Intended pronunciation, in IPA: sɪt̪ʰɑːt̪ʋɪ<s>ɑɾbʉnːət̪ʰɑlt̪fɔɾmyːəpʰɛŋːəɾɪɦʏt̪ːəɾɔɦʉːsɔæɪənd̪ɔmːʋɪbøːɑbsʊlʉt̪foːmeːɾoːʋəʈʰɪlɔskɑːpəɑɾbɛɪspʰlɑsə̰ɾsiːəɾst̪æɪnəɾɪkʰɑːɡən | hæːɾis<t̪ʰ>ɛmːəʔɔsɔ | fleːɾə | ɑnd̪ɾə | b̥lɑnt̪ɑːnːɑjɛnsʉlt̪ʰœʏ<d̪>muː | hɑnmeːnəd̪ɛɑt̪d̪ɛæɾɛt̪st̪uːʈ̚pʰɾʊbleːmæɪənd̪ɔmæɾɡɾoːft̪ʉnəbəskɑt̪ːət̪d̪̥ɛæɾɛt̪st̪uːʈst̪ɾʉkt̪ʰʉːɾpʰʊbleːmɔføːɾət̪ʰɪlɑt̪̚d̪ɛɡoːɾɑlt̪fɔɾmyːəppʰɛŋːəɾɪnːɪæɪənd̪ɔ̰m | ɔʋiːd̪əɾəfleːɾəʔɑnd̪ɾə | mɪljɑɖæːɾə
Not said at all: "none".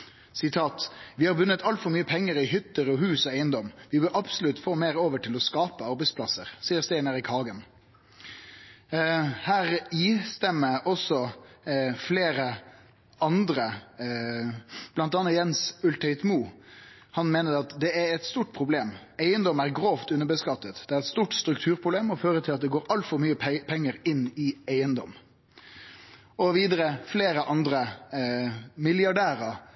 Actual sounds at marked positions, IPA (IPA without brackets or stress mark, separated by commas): h, t̪, t̪